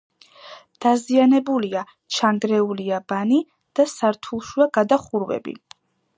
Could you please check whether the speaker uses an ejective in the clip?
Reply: no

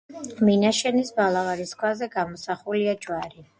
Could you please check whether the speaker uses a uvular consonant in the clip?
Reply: yes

